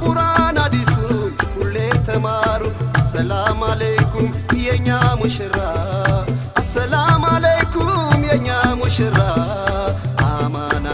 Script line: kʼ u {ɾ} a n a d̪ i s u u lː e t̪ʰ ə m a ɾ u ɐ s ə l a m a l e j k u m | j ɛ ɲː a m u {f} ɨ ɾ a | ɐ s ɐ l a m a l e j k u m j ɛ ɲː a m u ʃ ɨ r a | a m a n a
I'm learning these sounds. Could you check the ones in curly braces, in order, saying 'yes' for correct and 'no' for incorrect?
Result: yes, no

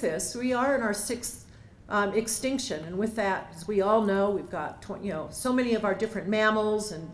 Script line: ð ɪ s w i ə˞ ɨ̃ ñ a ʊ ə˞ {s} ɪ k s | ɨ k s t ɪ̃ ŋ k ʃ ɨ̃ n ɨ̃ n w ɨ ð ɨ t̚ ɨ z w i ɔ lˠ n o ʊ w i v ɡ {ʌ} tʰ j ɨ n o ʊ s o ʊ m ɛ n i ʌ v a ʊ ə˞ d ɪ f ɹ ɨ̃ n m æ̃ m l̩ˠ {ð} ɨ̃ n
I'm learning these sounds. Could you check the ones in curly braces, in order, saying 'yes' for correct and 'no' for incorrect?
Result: yes, no, no

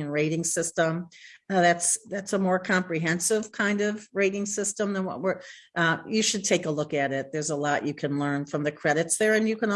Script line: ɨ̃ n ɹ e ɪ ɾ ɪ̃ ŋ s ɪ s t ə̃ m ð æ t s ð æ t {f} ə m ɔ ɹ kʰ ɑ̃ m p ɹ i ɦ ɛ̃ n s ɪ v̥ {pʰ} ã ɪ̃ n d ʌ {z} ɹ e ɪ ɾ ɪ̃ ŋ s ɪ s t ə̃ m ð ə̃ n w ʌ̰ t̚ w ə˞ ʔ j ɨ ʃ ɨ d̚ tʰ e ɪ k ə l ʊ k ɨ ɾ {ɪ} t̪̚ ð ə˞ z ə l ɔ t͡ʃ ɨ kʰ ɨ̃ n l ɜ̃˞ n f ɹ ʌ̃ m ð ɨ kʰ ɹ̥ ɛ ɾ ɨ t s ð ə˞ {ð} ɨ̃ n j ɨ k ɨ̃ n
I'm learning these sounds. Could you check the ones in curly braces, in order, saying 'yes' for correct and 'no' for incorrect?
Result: no, no, no, yes, no

